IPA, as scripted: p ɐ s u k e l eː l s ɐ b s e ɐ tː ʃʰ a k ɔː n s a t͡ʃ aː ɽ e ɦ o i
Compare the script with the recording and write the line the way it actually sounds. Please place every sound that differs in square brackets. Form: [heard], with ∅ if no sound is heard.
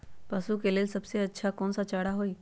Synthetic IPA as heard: p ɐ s u k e l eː l s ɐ b s e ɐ tː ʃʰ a k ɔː n s a t͡ʃ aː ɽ [a] ɦ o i